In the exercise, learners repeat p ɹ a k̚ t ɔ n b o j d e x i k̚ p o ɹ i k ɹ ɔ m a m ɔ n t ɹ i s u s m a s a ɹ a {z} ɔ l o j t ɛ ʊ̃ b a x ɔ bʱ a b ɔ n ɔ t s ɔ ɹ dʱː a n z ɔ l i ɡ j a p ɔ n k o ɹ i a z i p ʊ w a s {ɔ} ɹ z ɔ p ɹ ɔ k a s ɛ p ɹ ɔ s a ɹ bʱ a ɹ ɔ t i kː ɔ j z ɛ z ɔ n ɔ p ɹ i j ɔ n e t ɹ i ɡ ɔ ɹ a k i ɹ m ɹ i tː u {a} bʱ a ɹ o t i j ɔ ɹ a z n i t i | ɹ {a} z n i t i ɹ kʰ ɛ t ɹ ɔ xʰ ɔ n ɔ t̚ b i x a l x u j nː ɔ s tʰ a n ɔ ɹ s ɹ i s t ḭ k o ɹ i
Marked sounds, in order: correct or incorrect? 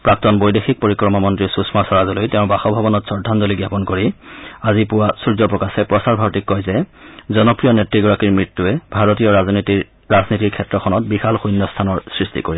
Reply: correct, incorrect: u, incorrect: ɛ, correct

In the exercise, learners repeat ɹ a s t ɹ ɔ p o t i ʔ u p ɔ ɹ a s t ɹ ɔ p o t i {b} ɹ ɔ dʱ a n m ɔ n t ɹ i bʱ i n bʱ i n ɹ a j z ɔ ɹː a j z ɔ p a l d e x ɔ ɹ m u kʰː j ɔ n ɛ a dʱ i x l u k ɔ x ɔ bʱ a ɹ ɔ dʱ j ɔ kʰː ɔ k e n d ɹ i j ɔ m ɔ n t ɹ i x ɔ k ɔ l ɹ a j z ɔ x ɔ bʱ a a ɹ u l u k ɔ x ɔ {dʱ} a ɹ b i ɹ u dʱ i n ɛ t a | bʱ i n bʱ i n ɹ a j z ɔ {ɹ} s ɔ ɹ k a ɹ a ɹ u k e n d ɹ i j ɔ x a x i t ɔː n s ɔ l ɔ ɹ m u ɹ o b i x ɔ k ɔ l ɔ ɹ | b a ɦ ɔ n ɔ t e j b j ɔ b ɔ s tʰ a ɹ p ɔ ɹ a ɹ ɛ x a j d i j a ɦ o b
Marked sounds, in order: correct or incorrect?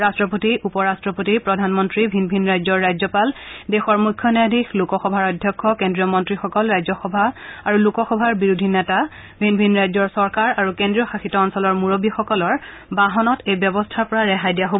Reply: incorrect: p, incorrect: bʱ, correct

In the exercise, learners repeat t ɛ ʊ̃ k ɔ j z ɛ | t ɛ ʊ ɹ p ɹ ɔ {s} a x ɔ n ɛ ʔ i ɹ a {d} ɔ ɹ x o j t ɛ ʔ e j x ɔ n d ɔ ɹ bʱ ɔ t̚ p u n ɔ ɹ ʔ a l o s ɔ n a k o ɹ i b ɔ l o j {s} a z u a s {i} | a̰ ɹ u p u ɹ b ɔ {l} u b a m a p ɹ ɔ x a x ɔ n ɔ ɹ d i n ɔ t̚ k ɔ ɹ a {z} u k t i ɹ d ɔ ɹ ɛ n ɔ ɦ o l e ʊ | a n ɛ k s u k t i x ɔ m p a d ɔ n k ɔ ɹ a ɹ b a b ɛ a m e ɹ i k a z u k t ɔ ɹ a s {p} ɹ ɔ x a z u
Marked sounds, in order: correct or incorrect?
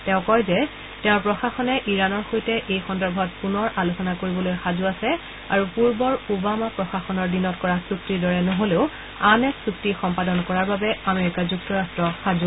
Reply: incorrect: x, incorrect: n, incorrect: x, incorrect: ɛ, incorrect: ɹ, incorrect: s, incorrect: t

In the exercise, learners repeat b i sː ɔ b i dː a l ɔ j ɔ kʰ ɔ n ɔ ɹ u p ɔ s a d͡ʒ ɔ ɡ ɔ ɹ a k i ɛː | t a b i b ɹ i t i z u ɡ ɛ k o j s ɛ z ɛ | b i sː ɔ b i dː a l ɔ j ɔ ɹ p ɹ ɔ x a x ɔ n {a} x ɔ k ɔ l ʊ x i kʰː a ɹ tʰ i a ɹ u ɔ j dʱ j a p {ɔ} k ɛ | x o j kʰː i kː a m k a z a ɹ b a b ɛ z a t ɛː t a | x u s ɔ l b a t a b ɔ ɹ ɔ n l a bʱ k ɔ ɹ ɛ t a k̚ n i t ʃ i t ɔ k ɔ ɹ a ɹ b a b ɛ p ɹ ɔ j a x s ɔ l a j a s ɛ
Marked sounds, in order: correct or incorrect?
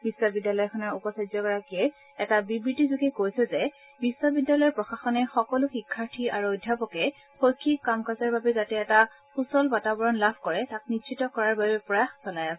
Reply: incorrect: ɛ, correct

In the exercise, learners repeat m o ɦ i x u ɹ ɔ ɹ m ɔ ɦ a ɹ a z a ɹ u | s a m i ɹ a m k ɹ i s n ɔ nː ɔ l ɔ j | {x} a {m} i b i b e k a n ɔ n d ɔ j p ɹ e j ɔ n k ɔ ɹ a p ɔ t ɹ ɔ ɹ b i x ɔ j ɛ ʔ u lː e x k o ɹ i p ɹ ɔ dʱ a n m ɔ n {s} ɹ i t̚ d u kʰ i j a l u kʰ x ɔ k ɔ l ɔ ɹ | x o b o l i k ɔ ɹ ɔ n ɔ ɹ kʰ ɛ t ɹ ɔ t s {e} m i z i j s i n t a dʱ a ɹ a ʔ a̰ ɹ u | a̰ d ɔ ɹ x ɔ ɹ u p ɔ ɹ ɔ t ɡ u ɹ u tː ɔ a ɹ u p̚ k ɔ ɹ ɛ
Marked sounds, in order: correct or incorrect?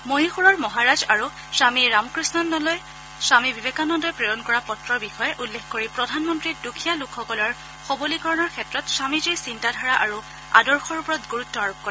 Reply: incorrect: s, correct, incorrect: t, incorrect: a

